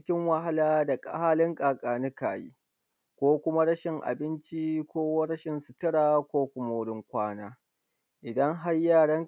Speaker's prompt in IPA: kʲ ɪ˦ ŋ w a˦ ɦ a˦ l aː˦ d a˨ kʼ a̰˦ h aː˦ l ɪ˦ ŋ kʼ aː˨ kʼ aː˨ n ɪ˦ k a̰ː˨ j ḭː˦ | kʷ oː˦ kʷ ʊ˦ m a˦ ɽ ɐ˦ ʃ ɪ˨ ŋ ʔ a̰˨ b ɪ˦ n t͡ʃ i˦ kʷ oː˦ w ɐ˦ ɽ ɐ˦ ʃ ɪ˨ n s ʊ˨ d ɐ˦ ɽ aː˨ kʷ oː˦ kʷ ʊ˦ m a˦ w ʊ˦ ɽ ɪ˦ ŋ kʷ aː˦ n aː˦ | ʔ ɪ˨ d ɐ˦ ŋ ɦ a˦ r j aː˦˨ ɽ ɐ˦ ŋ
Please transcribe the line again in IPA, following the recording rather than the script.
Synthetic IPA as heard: kʲ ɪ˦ ŋ w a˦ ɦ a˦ l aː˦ d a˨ kʼ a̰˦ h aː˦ l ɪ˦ ŋ kʼ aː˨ kʼ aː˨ n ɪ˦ k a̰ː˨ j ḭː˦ | kʷ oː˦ kʷ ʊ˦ m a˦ ɽ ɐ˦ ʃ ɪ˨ ŋ ʔ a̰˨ b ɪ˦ n t͡ʃ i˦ kʷ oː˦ w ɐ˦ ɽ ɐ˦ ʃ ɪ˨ n s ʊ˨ t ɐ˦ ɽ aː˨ kʷ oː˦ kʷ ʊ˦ m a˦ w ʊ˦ ɽ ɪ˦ ŋ kʷ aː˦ n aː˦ | ʔ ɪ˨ d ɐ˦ ŋ ɦ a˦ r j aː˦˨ ɽ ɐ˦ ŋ